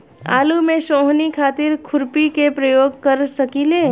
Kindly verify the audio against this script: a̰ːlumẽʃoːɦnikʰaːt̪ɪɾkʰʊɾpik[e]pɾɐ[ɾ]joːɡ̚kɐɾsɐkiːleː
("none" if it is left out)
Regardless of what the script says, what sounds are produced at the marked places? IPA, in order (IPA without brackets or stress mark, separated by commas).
e, none